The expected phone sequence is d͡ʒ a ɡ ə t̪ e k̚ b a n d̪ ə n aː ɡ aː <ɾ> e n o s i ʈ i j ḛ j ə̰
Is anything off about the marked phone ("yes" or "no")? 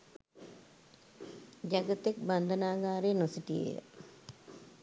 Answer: no